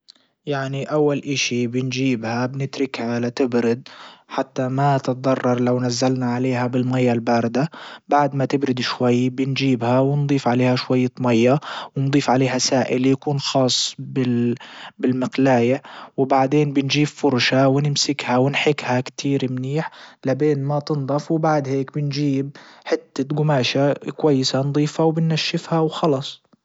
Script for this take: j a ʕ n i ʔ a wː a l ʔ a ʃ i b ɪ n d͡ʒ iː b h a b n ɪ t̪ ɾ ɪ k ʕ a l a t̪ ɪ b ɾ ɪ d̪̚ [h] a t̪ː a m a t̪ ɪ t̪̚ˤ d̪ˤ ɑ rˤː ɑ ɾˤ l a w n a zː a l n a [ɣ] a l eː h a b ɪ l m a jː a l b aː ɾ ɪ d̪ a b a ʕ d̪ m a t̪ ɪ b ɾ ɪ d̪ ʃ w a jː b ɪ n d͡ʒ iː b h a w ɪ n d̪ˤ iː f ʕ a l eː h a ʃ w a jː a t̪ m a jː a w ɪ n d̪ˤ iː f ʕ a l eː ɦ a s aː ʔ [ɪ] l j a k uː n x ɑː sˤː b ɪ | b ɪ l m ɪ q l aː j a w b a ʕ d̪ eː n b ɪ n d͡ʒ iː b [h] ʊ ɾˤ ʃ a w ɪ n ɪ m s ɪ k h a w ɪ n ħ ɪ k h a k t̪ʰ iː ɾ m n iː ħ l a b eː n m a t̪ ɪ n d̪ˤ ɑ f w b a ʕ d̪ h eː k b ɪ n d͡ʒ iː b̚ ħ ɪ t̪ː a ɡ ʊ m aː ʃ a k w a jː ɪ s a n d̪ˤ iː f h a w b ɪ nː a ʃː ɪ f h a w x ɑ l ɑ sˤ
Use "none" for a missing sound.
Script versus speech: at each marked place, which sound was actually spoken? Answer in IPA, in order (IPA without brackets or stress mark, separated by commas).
ħ, ʕ, ɪ, f